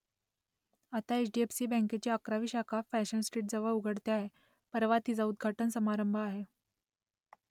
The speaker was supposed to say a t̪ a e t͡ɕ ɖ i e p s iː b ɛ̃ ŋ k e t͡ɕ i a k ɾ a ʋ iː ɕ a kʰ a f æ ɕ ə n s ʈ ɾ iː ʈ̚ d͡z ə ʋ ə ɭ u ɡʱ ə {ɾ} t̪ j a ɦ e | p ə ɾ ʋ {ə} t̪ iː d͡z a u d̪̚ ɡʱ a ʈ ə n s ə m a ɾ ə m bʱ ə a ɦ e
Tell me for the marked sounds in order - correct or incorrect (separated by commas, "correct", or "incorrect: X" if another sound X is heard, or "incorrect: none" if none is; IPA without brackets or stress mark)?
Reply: incorrect: ɽ, incorrect: a